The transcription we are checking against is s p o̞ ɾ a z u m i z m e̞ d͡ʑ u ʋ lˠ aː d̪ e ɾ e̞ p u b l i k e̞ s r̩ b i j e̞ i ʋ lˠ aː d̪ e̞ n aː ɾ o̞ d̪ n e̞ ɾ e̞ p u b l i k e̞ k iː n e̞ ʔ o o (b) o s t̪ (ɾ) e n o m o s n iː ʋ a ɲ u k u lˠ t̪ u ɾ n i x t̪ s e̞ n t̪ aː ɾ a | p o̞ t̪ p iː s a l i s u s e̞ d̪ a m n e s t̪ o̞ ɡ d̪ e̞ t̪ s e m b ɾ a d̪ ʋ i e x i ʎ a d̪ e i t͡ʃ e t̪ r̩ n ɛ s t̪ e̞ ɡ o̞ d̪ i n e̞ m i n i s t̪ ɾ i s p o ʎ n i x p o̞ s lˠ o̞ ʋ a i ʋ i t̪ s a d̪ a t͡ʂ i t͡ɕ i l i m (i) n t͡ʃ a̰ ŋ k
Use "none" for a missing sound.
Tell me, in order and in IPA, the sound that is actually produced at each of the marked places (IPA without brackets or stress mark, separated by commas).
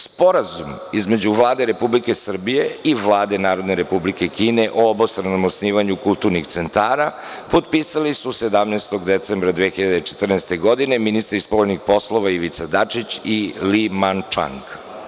b, ɾ, a